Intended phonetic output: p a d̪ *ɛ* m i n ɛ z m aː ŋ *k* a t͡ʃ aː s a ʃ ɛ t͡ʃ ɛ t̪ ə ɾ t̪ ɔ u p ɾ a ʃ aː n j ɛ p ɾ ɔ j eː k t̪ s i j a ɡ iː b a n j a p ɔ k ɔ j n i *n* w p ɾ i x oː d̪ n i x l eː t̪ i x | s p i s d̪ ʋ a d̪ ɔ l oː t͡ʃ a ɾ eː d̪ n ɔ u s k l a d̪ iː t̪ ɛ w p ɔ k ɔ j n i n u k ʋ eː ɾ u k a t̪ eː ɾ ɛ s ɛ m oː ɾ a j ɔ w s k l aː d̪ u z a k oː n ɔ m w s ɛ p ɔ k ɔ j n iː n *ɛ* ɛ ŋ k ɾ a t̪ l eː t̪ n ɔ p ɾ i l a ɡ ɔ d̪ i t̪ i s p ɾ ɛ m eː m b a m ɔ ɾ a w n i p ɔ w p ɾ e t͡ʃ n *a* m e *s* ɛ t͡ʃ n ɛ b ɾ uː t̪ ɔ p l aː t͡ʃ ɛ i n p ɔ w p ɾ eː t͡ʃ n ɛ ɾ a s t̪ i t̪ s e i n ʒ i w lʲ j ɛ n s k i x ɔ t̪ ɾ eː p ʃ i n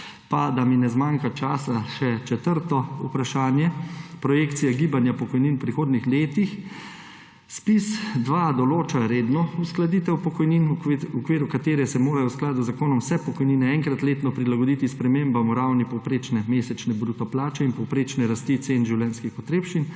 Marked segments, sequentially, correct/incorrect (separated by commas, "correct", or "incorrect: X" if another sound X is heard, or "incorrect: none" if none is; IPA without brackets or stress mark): incorrect: a, correct, correct, correct, incorrect: ɛ, correct